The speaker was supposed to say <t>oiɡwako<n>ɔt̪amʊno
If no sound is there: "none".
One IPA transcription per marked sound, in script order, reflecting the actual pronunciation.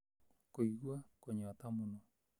k, ɲ

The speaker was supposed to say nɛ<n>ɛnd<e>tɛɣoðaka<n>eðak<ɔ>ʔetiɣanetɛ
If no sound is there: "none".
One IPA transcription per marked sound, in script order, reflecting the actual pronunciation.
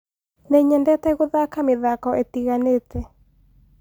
ɲ, ɛ, m, ɔ

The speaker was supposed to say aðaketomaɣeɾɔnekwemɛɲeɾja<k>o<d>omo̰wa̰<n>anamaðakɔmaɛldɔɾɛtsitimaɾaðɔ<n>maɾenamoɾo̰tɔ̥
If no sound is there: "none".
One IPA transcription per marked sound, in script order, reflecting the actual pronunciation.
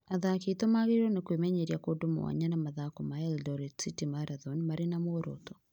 k, d, ɲ, n

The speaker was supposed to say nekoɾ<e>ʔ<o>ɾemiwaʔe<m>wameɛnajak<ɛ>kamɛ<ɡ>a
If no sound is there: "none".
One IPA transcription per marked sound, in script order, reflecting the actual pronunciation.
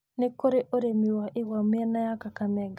e, o, none, a, ɡ

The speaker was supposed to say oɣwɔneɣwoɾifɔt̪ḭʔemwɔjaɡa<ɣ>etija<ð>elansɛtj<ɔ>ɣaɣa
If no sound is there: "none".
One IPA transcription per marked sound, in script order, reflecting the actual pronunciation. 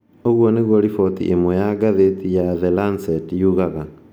ð, ð, u

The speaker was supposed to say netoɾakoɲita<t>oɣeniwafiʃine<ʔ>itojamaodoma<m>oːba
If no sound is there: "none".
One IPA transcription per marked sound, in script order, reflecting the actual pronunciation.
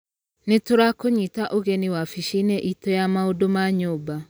ʔ, ʔ, ɲ

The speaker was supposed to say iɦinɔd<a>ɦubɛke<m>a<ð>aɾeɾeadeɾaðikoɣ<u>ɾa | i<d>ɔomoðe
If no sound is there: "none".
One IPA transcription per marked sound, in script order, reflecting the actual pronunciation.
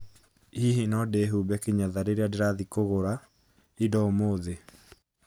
e, ɲ, ð, o, d

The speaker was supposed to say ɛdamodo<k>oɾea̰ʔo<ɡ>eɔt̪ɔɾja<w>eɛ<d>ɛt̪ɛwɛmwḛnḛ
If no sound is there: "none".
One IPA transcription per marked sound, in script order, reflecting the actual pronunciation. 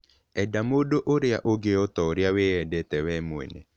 ʔ, ɡ, w, d

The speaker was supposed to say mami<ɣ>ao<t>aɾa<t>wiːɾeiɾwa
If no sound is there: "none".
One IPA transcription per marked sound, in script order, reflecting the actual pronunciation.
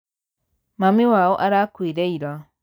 w, ʔ, k

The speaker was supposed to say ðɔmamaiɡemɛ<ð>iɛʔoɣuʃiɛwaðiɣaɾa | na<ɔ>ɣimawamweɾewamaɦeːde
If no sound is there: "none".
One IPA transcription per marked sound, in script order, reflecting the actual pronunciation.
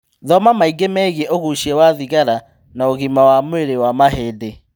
ɣ, o

